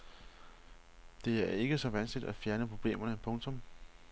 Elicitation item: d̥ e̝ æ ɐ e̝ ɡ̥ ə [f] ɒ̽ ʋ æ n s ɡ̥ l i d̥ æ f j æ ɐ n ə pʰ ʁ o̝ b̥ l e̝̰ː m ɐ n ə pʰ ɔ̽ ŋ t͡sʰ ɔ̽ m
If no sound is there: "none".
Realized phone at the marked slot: s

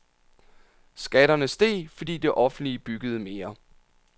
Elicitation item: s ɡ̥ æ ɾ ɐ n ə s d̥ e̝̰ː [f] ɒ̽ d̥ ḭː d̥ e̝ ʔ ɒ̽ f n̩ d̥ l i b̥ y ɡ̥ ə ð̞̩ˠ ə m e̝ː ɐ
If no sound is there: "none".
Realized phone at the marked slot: f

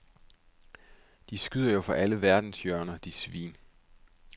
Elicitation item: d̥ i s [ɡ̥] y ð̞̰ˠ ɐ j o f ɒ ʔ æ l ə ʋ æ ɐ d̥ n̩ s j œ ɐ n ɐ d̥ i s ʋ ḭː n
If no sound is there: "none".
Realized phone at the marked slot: ɡ̥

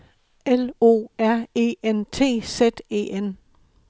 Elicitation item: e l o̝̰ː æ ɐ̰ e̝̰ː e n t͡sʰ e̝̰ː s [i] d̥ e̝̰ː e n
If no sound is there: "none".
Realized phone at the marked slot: e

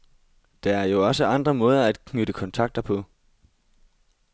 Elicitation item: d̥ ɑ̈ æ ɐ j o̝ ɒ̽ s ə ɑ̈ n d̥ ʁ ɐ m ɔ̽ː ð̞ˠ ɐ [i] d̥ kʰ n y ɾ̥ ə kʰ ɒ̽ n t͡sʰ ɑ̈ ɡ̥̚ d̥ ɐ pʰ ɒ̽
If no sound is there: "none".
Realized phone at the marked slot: æ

